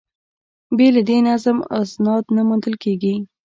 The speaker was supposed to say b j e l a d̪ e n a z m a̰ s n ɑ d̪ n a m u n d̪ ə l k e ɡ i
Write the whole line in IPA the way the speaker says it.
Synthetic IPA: b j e l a d̪ e n a z m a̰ s n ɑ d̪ n a m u n d̪ ə l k e ɡ i